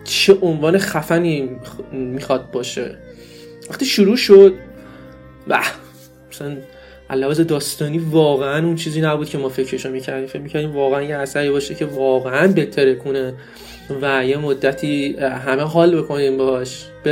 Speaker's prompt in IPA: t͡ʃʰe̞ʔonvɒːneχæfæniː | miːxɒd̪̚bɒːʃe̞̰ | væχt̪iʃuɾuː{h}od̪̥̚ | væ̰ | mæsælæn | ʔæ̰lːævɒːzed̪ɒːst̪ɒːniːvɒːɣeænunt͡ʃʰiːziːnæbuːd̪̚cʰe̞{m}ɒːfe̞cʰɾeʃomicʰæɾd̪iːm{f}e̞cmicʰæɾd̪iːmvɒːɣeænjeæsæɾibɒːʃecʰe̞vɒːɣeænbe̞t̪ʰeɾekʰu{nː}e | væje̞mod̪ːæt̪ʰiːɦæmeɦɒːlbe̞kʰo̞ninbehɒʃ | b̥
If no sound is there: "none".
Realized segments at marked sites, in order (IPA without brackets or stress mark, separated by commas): ʃ, m, f, n